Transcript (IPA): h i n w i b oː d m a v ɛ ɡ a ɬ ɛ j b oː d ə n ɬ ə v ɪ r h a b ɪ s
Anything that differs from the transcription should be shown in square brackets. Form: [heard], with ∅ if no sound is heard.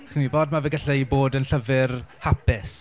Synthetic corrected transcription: [χ] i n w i b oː d m a v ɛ ɡ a ɬ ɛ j b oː d ə n ɬ ə v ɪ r h a [p] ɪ s